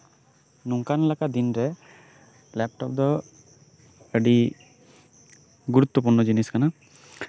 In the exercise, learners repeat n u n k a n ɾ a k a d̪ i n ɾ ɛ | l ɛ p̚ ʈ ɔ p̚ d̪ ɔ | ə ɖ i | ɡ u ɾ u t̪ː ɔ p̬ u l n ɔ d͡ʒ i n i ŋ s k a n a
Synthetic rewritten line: n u ŋ k a n l a k a d̪ i n ɾ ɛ | l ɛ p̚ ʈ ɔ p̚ d̪ ɔ | ə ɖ i | ɡ u ɾ u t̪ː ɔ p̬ u ɾ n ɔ d͡ʒ i n i s k a n a